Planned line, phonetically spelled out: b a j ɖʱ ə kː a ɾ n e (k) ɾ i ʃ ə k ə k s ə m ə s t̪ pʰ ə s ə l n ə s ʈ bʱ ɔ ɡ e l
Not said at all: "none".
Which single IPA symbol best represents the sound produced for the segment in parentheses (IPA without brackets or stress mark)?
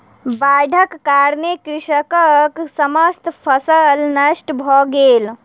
k